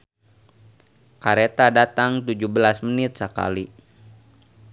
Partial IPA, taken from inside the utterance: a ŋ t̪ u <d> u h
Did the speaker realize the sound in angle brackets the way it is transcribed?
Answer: no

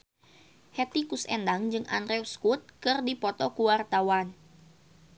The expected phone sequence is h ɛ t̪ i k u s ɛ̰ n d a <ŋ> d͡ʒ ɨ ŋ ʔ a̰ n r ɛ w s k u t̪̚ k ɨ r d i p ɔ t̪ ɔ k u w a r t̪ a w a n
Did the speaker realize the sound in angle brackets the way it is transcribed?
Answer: yes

